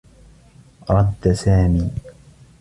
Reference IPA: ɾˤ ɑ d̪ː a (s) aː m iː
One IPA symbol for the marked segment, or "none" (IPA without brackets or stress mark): s